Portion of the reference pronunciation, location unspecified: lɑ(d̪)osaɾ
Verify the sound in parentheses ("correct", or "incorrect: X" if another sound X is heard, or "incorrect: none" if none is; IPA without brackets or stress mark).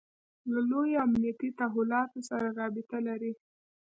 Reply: incorrect: t̪